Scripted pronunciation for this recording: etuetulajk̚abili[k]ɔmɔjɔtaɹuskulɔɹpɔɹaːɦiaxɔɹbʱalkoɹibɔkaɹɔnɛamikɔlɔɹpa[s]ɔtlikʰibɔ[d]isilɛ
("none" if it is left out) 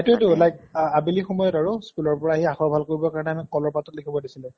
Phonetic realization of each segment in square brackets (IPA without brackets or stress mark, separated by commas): x, t, d